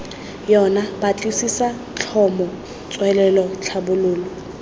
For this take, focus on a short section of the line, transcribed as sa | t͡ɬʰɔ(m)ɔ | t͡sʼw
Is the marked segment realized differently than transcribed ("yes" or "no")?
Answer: no